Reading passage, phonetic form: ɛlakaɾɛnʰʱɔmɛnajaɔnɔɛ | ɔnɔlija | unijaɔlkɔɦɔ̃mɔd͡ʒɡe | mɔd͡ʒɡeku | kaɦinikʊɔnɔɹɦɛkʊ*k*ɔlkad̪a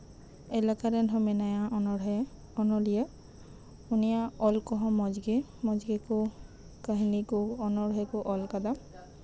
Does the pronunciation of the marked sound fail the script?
yes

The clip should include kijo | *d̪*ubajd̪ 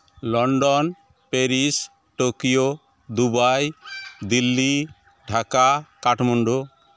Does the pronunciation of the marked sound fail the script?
no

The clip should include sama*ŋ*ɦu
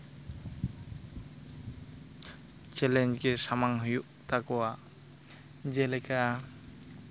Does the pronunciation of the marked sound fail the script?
no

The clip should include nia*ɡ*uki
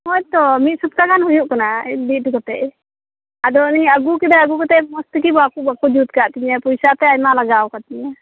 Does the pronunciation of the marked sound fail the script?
no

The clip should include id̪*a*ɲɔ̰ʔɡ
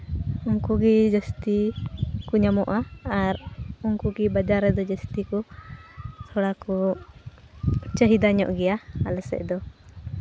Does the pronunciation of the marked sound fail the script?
no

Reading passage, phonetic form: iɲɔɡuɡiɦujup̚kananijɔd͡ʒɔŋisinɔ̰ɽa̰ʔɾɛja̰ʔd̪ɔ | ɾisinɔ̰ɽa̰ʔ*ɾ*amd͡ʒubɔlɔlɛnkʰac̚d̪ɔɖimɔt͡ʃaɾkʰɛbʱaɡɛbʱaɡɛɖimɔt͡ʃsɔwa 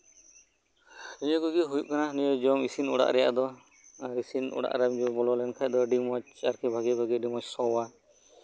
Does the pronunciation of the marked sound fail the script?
no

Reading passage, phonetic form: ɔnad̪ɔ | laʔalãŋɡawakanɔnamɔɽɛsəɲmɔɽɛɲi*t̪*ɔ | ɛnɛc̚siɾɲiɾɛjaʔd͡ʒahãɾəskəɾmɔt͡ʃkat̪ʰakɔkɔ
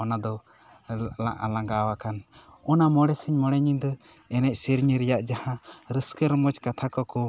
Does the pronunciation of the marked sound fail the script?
yes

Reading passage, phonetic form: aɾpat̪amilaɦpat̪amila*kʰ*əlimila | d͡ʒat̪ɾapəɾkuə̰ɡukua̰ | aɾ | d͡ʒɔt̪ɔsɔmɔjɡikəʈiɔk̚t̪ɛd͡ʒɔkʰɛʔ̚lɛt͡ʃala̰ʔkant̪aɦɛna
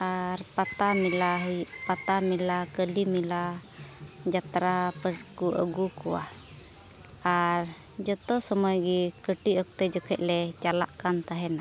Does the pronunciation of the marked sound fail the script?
yes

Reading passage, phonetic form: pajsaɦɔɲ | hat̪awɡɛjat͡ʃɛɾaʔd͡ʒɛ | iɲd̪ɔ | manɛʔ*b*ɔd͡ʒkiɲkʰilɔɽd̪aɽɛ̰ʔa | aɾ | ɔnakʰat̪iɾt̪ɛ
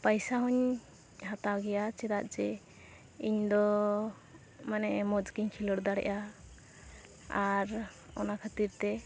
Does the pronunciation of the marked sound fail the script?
yes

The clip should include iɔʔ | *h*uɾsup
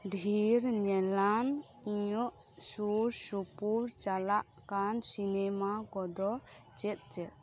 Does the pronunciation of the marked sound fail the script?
yes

